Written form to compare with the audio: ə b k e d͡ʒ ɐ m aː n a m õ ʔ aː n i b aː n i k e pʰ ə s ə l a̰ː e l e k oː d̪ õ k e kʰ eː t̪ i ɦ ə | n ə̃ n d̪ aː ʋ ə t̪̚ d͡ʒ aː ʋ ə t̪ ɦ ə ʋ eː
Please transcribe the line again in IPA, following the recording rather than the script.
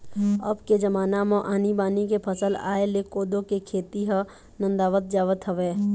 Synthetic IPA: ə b k e d͡ʒ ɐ m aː n a m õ ʔ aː n i b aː n i k e pʰ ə s ə l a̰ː e l e k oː d̪ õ k e kʰ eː t̪ i ɦ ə | n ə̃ n d̪ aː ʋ ə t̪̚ d͡ʒ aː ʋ ə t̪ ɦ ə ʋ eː

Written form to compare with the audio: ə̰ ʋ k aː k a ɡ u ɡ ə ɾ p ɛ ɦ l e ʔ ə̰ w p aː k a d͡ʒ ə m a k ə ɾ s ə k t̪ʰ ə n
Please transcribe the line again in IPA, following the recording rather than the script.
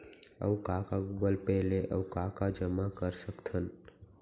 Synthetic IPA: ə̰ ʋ k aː k a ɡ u ɡ ə l p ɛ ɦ l e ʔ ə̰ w k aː k a d͡ʒ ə m a k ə ɾ s ə k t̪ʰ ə n

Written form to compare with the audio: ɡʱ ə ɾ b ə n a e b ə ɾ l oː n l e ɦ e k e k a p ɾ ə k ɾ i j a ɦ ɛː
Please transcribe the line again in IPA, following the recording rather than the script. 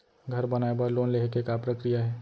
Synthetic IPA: ɡʱ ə ɾ b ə n a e b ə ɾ l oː n l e ɦ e k e k a p ɾ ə k ɾ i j a ɦ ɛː

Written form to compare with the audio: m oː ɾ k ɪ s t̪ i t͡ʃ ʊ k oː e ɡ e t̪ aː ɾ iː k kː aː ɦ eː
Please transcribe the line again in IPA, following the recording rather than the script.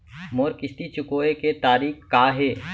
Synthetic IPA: m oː ɾ k ɪ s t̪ i t͡ʃ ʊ k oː e k e t̪ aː ɾ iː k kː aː ɦ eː

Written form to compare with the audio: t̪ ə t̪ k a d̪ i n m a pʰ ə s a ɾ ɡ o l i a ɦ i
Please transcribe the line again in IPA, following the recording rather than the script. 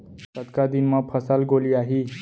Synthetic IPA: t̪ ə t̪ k a d̪ i n m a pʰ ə s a l ɡ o l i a ɦ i

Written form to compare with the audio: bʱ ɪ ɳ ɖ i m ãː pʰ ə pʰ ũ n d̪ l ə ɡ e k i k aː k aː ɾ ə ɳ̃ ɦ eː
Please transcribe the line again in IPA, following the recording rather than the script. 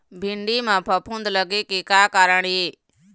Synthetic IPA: bʱ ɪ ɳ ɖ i m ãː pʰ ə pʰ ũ n d̪ l ə ɡ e k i k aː k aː ɾ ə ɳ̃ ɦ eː

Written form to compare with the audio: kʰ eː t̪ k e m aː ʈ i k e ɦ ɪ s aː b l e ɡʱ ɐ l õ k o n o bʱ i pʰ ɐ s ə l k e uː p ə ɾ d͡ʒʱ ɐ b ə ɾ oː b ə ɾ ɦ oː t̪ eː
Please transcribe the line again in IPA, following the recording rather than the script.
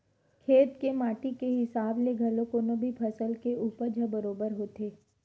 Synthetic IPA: kʰ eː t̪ k e m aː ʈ i k e ɦ ɪ s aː b l e ɡʱ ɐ l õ k o n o bʱ i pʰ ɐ s ə l k e uː p ə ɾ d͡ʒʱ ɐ b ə ɾ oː b ə ɾ ɦ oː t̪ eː

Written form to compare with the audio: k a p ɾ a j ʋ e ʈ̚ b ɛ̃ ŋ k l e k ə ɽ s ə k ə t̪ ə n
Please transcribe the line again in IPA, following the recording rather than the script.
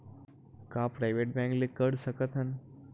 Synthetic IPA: k a p ɾ a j ʋ e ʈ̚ b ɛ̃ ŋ k l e k ə ɽ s ə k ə t̪ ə n

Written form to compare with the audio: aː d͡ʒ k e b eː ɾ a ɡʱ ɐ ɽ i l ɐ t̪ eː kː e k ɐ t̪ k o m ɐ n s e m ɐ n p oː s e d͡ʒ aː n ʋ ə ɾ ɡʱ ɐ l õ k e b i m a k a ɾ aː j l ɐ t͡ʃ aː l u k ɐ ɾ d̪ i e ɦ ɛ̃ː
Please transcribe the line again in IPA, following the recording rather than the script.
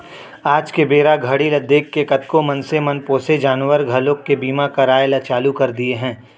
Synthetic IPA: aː d͡ʒ k e b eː ɾ a ɡʱ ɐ ɽ i l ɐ d̪ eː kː e k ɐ t̪ k o m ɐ n s e m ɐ n p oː s e d͡ʒ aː n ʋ ə ɾ ɡʱ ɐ l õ k e b iː m a k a ɾ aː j l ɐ t͡ʃ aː l u k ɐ ɾ d̪ i e ɦ ɛ̃ː

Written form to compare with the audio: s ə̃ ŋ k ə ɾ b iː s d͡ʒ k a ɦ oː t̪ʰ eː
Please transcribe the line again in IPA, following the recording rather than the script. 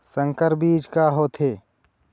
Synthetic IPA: s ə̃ ŋ k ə ɾ b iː d͡ʒ k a ɦ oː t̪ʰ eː

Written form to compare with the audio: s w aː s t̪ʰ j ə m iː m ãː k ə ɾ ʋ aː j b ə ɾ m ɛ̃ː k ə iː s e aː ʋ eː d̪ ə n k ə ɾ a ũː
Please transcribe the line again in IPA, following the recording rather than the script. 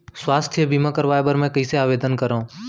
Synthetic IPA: s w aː s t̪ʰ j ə b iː m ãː k ə ɾ ʋ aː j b ə ɾ m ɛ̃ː k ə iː s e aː ʋ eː d̪ ə n k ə ɾ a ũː

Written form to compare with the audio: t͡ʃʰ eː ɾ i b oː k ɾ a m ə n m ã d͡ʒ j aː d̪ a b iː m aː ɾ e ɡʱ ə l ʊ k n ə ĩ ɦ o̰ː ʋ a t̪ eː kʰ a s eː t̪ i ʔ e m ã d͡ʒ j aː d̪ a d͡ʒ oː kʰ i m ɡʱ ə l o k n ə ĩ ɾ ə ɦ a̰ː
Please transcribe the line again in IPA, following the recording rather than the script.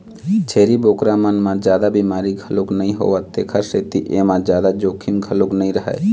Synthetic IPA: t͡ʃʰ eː ɾ i b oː k ɾ a m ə n m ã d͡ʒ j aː d̪ a b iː m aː ɾ i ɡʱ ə l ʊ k n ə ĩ ɦ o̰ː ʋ a t̪ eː kʰ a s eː t̪ i ʔ e m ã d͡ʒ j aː d̪ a d͡ʒ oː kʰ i m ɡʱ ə l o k n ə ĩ ɾ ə ɦ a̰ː

